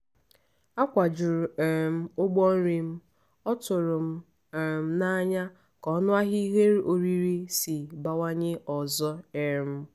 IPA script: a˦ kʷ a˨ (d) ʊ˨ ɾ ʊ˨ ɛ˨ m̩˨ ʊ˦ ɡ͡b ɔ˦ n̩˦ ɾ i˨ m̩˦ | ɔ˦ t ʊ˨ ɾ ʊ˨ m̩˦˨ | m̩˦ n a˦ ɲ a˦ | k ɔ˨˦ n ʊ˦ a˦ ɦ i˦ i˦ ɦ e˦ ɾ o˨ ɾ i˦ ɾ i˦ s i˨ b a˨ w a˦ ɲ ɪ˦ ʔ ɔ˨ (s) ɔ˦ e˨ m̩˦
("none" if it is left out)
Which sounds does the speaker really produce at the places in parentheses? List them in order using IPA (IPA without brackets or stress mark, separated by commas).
d͡ʒ, z